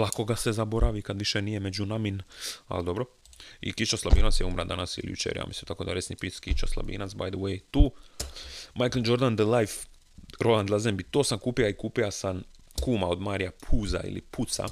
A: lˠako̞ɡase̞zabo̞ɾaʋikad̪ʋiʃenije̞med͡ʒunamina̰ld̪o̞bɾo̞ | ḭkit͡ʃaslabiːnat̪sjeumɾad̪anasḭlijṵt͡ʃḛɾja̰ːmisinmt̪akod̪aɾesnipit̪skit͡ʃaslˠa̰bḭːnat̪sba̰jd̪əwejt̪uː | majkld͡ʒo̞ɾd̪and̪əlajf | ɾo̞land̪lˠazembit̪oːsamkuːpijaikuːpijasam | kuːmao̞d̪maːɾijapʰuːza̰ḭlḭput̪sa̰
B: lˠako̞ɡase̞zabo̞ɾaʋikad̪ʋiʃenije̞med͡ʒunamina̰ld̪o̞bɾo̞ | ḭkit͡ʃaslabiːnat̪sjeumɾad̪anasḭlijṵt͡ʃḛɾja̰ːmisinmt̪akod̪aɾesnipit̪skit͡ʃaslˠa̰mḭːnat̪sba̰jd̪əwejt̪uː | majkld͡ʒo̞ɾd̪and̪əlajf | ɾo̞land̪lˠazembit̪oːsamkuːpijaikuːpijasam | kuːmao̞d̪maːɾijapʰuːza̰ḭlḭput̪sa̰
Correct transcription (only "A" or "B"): A